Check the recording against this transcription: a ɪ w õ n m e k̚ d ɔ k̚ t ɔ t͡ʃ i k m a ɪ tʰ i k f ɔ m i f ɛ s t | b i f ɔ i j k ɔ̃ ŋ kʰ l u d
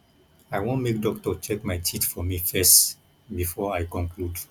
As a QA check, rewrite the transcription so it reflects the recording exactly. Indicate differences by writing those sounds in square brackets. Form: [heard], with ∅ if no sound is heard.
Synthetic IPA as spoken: a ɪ w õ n m e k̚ d ɔ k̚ t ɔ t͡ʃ [ɛ] k m a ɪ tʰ i [t] f ɔ m i f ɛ s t | b i f ɔ [a] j k ɔ̃ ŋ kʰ l u d